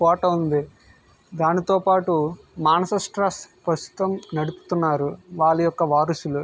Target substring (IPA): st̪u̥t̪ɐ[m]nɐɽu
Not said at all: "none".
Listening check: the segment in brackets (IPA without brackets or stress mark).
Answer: m